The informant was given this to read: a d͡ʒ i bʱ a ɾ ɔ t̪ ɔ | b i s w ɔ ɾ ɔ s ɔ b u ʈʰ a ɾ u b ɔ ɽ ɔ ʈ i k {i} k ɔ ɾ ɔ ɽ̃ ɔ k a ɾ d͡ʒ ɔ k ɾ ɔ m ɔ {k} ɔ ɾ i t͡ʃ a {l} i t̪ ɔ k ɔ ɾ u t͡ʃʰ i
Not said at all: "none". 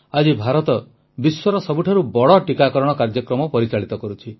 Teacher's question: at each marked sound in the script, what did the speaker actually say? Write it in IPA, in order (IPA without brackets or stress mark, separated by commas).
a, p, ɭ